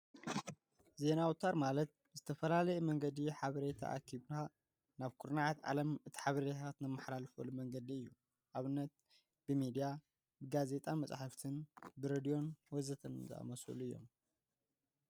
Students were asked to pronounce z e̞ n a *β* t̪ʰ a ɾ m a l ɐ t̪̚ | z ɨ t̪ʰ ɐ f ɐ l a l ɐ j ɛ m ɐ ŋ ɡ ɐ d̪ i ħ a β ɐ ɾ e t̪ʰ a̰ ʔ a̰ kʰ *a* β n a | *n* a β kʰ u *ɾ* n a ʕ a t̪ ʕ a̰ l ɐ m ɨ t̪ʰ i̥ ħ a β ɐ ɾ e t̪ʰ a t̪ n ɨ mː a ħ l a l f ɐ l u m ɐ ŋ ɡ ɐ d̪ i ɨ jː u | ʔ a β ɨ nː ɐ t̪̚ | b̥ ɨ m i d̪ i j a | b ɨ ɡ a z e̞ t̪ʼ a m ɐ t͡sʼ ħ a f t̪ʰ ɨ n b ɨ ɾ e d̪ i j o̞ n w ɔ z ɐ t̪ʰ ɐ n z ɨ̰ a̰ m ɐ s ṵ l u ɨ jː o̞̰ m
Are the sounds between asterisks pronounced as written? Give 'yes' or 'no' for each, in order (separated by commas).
no, no, yes, yes